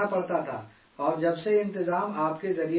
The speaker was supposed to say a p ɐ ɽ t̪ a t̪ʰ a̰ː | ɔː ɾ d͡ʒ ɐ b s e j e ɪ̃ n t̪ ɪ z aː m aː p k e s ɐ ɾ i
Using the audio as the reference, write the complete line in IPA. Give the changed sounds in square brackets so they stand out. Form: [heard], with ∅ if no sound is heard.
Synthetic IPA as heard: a p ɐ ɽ t̪ a t̪ʰ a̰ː | ɔː ɾ d͡ʒ ɐ b s e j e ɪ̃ n t̪ ɪ z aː m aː p k e [z] ɐ ɾ i